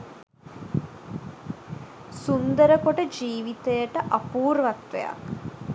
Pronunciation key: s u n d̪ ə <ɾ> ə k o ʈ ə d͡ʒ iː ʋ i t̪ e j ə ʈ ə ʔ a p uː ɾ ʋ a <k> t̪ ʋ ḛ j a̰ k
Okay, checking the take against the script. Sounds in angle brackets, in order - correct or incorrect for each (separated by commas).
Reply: correct, correct